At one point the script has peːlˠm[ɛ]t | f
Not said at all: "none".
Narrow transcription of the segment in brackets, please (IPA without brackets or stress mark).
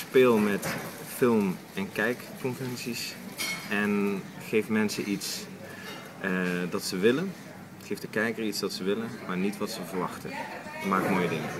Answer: ɛ